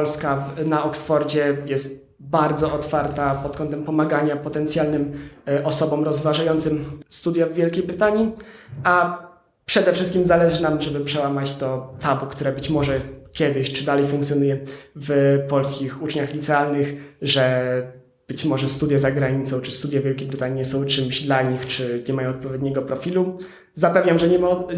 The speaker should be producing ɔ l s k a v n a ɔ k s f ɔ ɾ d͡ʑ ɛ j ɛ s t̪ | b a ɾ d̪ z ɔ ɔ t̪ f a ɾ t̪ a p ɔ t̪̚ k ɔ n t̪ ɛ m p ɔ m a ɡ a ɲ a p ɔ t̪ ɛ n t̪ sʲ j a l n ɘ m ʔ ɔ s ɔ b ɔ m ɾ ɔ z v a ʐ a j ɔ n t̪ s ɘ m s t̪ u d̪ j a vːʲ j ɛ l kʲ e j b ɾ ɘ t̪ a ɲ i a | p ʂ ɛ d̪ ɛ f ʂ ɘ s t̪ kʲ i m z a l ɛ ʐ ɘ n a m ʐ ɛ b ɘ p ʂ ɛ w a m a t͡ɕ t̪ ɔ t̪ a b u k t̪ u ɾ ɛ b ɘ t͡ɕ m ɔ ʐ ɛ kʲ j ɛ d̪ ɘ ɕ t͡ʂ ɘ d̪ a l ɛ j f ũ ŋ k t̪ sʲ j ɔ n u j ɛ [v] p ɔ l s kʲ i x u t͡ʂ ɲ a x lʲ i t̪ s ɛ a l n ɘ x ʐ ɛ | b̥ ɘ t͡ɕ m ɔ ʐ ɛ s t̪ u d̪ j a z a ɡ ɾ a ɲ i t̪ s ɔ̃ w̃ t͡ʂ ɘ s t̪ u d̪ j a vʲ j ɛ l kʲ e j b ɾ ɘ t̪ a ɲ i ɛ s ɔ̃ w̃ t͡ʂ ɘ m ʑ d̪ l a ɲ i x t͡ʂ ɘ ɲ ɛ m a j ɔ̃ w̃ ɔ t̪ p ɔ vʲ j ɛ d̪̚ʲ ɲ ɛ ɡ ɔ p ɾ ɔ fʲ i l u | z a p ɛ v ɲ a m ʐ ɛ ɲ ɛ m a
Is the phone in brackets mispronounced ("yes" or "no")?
no